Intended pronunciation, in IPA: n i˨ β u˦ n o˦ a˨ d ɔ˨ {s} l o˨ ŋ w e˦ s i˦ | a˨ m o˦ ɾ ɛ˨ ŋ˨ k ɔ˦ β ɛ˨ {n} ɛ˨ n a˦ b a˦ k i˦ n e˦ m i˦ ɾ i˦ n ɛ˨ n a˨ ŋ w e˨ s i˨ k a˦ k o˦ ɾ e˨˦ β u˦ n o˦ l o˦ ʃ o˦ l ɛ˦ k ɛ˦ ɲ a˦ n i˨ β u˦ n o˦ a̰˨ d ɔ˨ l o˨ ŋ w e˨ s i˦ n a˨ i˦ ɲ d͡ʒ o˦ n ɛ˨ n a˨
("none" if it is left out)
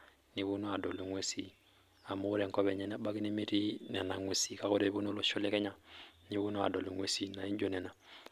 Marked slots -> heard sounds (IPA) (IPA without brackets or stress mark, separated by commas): none, ɲ